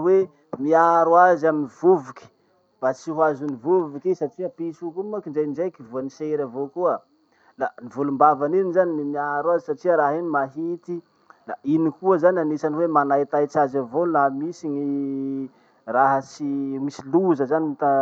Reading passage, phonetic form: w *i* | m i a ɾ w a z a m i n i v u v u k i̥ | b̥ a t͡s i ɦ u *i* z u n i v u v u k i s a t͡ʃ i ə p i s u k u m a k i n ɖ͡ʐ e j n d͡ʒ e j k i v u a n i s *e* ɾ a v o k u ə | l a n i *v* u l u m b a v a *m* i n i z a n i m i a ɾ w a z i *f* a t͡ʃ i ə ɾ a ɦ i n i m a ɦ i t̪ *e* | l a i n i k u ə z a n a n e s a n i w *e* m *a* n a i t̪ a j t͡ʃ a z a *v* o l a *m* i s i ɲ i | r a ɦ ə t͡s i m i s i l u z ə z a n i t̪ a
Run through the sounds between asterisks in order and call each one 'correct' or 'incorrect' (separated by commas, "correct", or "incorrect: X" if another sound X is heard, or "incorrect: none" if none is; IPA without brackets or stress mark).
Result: incorrect: e, incorrect: a, correct, correct, incorrect: n, incorrect: s, incorrect: i, correct, correct, correct, correct